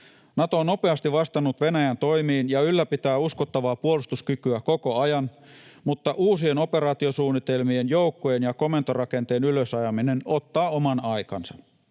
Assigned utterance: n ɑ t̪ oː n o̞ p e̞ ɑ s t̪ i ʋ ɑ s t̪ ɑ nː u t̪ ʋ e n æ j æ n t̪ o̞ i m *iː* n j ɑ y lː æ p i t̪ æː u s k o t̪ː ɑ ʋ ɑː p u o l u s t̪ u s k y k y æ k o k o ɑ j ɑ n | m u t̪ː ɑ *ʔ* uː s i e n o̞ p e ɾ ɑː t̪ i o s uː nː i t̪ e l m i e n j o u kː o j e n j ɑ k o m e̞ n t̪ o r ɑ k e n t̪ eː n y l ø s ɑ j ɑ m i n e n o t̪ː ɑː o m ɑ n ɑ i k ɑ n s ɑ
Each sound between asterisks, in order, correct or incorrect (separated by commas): correct, correct